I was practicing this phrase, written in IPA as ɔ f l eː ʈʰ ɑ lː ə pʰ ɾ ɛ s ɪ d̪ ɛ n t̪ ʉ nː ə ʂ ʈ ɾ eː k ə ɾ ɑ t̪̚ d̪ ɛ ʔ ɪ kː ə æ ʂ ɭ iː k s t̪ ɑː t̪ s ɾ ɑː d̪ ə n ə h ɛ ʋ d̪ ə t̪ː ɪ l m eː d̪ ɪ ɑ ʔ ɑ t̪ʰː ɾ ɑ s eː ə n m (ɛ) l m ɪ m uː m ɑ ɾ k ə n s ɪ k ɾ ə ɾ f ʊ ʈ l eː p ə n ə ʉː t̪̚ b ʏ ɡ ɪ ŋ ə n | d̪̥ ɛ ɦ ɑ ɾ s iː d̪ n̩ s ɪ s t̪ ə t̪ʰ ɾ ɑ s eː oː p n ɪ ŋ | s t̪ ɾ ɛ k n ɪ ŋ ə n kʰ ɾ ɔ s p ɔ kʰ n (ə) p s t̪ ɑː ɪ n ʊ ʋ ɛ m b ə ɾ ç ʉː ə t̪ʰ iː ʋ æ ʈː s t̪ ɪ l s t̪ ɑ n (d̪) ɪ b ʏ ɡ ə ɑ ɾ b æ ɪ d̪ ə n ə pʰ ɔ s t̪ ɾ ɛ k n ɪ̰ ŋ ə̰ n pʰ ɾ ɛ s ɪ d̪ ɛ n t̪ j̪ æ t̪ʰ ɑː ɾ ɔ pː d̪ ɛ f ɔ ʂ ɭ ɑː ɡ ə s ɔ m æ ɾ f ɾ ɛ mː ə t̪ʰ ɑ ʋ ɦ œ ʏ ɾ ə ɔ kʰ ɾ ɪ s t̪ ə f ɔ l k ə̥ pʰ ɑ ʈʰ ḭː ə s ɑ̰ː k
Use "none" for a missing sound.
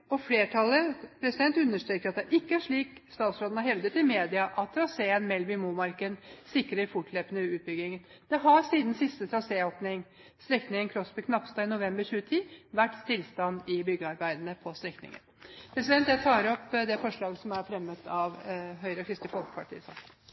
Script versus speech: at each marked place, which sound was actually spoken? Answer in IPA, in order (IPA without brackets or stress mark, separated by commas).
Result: ɛ, ɑ, d̪